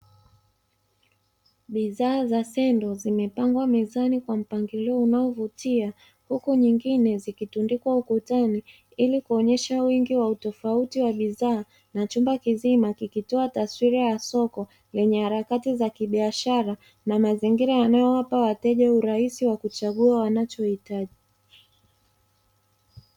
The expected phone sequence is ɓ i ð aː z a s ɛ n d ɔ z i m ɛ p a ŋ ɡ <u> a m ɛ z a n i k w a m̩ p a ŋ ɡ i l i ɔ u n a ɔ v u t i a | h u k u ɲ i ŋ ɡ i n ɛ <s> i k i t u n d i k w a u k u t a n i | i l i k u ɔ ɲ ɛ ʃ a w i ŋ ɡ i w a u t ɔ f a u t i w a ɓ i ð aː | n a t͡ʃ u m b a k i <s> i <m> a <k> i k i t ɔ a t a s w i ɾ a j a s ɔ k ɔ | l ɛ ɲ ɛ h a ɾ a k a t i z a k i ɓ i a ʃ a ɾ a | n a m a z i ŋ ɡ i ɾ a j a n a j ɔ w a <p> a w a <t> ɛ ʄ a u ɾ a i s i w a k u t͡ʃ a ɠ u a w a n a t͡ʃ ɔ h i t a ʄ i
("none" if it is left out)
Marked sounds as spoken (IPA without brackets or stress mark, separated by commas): w, z, z, m, k, p, t